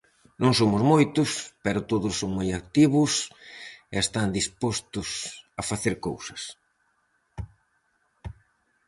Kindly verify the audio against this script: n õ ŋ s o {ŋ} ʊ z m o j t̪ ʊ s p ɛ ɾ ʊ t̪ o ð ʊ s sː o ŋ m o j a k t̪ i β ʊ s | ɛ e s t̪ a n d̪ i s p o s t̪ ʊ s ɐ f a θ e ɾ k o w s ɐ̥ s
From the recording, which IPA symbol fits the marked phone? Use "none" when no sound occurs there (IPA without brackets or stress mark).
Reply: m